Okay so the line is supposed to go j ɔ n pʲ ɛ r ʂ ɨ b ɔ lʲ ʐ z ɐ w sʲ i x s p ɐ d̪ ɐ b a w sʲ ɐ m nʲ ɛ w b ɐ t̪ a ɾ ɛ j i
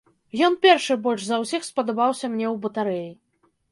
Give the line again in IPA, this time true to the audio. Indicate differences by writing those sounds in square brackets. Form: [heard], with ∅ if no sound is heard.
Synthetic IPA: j ɔ n pʲ ɛ r ʂ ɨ b ɔ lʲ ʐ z ɐ w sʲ i x s p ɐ d̪ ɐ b a w sʲ ɐ m nʲ ɛ w b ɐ t̪ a ɾ ɛ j i